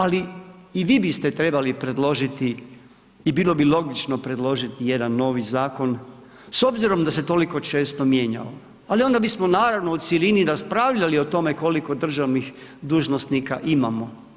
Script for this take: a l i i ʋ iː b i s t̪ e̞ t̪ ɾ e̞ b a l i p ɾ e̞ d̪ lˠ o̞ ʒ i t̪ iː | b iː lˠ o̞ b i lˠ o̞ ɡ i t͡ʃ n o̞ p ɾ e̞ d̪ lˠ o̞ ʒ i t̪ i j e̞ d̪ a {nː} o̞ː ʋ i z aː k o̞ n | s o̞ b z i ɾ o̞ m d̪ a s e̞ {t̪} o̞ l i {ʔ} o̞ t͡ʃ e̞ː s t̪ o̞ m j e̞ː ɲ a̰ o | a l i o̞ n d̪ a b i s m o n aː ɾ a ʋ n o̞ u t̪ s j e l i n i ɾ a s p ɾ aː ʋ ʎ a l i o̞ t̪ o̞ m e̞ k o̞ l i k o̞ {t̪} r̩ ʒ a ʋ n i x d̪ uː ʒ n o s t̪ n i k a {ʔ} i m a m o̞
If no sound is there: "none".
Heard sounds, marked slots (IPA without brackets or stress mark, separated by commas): nː, t̪, k, d̪, ʔ